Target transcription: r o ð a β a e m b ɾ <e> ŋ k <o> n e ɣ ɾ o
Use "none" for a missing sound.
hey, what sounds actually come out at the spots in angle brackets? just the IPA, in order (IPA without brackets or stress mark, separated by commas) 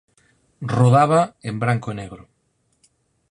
a, o